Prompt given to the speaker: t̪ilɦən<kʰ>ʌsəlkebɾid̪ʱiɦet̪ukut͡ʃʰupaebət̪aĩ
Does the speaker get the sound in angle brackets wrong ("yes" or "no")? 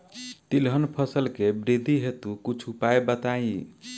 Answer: yes